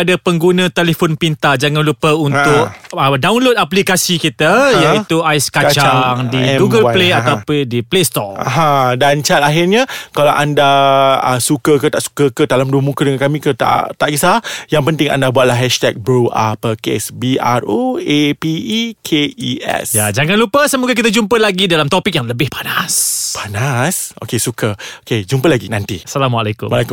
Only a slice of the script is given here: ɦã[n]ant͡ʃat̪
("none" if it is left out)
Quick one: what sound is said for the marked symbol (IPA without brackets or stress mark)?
d